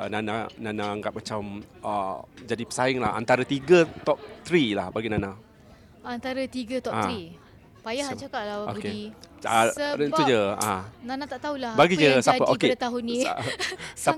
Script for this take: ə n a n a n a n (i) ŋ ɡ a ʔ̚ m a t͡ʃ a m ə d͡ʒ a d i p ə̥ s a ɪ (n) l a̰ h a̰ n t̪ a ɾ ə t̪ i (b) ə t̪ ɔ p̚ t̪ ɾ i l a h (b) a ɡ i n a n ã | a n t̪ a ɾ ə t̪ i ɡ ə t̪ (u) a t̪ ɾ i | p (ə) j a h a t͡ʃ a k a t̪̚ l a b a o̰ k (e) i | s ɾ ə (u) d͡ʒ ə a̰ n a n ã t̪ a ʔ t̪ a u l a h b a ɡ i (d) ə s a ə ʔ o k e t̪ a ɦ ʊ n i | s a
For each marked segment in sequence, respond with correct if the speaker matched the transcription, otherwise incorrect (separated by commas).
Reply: incorrect, incorrect, incorrect, correct, incorrect, incorrect, correct, correct, incorrect